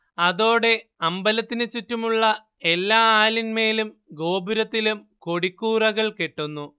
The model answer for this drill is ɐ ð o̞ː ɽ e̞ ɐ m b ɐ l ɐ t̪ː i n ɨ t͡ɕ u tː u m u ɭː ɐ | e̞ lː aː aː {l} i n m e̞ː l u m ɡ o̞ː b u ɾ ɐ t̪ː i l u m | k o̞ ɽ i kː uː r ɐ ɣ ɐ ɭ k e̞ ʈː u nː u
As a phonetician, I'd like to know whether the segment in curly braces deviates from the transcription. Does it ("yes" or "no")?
no